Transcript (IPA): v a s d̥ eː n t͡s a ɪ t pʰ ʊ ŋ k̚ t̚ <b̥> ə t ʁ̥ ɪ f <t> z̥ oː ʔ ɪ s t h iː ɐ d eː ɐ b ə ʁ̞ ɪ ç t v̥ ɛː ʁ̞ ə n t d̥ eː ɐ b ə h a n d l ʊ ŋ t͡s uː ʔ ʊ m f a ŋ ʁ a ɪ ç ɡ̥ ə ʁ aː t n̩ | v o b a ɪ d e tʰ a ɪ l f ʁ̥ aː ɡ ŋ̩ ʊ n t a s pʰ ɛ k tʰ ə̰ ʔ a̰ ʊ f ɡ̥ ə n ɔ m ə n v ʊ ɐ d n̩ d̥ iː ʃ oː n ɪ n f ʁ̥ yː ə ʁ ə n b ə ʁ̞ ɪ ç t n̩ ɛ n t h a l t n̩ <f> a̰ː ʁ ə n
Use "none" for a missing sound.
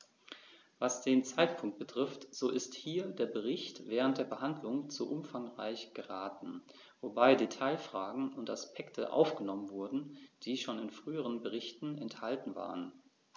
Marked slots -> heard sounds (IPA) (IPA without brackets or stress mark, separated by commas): b̥, t, v